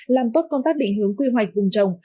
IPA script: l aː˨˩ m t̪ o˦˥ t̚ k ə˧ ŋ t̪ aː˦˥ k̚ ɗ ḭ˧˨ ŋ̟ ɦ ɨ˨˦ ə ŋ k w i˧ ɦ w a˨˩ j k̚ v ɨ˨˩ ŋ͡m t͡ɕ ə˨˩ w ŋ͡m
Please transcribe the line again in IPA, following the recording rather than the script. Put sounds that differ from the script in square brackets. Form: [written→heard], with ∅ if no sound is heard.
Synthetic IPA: l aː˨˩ m t̪ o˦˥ t̚ k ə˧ [ŋ→ŋ͡m] t̪ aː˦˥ k̚ ɗ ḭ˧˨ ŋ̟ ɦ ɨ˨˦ ə ŋ k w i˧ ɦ w a˨˩ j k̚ v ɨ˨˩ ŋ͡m t͡ɕ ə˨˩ w ŋ͡m